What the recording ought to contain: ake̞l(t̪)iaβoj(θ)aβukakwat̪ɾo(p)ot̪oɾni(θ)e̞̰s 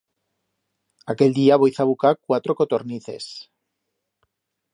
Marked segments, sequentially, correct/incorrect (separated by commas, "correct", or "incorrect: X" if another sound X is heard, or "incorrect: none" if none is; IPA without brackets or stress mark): incorrect: d̪, correct, incorrect: k, correct